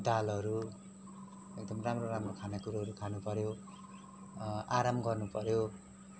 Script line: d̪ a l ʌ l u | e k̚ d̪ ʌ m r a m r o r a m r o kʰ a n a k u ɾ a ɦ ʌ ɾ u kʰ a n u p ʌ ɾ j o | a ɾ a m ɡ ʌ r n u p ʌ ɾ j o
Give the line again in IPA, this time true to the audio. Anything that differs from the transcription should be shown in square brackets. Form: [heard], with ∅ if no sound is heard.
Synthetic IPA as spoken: d̪ a l ʌ [ɾ] u | e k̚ d̪ ʌ m r a m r o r a m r o kʰ a n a k u ɾ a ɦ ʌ ɾ u kʰ a n u p ʌ ɾ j o | a ɾ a m ɡ ʌ r n u p ʌ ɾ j o